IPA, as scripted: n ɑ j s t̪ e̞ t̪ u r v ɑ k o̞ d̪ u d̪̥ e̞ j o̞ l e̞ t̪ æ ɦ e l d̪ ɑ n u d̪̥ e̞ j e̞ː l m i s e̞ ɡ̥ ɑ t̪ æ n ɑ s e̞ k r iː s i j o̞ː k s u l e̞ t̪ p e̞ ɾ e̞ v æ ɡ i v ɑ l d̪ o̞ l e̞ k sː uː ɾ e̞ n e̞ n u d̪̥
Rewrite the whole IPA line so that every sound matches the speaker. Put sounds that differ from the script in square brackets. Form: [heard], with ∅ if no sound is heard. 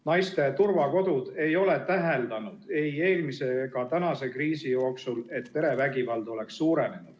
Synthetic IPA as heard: n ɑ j s t̪ e̞ t̪ u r v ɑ k o̞ d̪ u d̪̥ e̞ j o̞ l e̞ t̪ æ ɦ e l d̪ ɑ n u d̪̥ e̞ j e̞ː l m i s e̞ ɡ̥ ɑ t̪ æ n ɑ s e̞ k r iː s i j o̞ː k s u l e̞ t̪ p e̞ ɾ e̞ v æ ɡ i v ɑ l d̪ o̞ l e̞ k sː uː ɾ e̞ n e̞ n u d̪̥